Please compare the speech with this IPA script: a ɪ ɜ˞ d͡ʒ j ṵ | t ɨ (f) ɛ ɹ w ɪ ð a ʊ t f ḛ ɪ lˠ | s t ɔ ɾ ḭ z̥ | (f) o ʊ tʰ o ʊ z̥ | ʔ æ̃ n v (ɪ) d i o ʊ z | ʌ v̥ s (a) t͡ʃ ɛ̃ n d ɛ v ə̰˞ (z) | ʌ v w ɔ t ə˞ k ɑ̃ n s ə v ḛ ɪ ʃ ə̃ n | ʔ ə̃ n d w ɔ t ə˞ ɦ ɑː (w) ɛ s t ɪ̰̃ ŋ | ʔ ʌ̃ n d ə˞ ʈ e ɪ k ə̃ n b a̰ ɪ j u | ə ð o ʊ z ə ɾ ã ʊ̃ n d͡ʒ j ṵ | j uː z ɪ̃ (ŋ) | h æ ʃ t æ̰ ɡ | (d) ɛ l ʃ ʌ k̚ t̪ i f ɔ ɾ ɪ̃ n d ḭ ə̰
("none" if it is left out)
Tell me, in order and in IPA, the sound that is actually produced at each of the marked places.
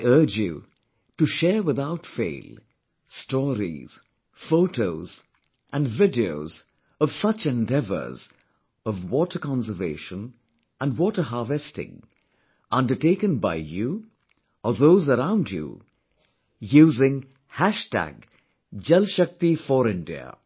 ʃ, f, ɪ, ʌ, z, v, ŋ, d͡ʒ

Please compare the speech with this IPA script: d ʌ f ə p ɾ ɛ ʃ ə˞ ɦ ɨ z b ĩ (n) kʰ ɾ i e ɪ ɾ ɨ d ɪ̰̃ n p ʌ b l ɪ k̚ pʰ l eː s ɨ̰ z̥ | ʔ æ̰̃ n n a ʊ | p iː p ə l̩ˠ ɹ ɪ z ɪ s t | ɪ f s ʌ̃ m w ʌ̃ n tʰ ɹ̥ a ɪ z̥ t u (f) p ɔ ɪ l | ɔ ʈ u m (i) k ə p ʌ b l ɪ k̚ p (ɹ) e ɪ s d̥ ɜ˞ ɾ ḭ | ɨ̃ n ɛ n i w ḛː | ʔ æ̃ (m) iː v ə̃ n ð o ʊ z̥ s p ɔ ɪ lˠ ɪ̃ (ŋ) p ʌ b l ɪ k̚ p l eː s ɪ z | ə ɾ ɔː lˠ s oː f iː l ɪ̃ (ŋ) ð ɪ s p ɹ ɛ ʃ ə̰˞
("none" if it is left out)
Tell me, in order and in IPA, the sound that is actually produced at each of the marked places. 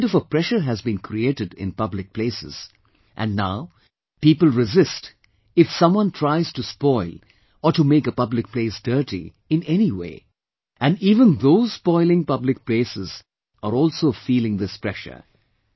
n, s, e, l, n, ŋ, ŋ

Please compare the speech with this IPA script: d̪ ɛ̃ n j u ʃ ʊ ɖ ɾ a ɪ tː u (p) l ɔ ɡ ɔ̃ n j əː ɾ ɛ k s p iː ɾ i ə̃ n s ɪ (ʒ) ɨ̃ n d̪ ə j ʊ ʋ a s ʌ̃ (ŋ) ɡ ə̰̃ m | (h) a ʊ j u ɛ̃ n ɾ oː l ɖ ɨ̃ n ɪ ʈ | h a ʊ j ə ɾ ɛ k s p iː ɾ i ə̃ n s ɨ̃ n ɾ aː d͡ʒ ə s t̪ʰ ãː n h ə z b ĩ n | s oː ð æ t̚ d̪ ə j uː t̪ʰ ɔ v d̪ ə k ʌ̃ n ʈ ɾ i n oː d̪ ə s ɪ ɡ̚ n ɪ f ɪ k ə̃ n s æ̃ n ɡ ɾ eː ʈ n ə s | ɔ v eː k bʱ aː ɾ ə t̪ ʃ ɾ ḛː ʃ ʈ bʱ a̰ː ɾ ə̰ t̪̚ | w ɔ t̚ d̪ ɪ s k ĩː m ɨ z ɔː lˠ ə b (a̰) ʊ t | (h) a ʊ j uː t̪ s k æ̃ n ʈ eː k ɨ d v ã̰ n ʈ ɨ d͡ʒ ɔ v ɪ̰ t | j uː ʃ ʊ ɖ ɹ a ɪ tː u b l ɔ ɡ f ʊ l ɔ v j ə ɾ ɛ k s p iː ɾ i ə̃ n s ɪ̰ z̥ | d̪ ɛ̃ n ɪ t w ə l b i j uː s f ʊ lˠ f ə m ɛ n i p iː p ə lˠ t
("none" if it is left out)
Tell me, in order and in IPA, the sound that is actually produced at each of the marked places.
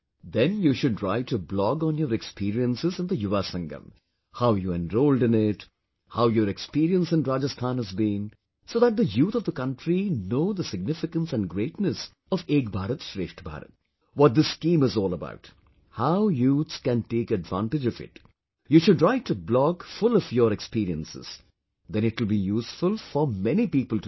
b, z, ŋ, h, a̰, h

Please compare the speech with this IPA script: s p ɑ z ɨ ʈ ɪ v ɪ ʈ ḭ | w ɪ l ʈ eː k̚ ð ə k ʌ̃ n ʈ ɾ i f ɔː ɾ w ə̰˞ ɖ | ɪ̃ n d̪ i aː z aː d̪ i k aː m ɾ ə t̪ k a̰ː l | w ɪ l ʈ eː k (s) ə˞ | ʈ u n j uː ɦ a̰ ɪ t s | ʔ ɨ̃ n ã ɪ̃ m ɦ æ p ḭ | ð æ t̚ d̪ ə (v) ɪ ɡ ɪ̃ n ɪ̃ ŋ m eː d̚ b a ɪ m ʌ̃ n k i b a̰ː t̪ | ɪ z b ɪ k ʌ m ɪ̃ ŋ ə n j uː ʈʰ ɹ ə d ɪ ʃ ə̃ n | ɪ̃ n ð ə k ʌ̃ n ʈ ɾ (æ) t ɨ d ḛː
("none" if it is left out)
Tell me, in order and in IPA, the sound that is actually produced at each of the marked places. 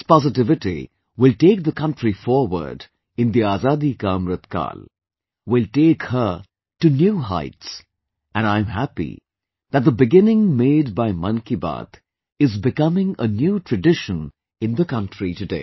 h, b, i

